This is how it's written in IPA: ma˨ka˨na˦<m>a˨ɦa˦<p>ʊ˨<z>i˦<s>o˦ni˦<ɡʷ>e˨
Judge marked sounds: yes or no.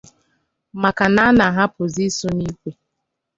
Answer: no, yes, yes, yes, no

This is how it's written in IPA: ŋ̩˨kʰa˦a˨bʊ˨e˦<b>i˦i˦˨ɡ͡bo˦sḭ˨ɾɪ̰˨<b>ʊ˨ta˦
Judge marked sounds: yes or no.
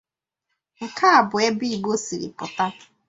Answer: yes, no

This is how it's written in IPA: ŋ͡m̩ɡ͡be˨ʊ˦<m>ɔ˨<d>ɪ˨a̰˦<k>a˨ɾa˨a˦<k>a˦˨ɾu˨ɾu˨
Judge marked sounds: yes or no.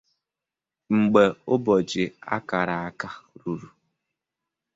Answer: no, no, yes, yes

